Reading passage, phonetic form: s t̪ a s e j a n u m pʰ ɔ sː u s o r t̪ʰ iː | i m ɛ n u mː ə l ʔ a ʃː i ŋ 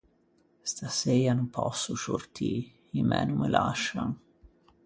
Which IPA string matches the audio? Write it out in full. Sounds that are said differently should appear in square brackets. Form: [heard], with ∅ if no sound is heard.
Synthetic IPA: s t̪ a s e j a n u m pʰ ɔ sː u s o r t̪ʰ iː | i m ɛ n u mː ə l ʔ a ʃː [a] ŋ